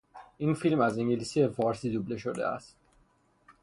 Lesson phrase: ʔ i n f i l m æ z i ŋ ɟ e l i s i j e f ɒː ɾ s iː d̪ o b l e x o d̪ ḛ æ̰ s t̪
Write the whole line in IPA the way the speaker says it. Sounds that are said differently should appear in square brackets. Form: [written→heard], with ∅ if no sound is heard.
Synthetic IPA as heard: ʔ i n f i l m æ z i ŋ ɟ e l i s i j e f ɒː ɾ s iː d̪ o b l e [x→ʃ] o d̪ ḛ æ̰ s t̪